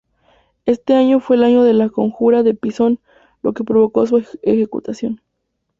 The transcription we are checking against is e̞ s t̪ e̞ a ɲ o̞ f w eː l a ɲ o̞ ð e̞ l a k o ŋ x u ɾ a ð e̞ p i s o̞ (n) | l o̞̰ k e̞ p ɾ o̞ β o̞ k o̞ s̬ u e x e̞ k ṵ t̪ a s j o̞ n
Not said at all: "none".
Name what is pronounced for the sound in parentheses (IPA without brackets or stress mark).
n